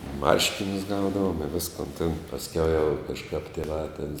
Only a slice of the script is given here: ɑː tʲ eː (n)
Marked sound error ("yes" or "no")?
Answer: no